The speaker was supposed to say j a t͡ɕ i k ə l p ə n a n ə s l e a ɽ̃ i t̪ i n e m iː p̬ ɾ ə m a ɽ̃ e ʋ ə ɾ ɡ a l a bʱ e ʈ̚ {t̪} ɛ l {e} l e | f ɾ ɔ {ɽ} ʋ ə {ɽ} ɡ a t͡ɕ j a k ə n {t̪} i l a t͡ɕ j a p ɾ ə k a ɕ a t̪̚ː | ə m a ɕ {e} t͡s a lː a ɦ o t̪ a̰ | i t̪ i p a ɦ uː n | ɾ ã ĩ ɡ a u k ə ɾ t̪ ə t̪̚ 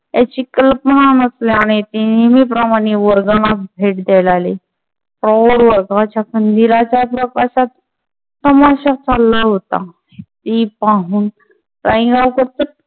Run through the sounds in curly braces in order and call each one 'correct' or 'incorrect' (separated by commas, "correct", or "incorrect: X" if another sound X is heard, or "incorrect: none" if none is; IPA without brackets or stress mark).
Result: incorrect: d̪, incorrect: a, correct, incorrect: ɾ, incorrect: d̪, incorrect: a